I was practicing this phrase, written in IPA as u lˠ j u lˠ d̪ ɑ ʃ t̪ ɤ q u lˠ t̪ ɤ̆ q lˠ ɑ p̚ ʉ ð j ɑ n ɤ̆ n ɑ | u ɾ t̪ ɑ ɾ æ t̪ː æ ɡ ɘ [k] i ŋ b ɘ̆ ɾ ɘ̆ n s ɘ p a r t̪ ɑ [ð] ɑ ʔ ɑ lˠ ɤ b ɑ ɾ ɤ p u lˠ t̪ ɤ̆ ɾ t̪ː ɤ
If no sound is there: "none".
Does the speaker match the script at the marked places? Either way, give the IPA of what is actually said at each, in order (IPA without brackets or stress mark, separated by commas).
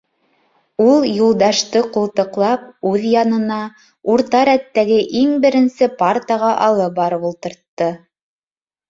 ʔ, ʁ